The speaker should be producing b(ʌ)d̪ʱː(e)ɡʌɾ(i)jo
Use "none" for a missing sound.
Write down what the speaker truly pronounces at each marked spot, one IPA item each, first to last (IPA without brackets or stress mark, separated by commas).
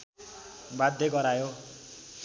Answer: a, e, a